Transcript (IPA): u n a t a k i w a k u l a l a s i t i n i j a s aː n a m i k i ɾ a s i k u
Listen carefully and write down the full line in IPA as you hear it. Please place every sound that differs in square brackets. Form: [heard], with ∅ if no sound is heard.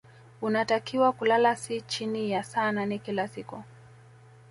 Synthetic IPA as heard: u n a t a k i w a k u l a l a s i [t͡ʃ] i n i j a s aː n a [n] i k i [l] a s i k u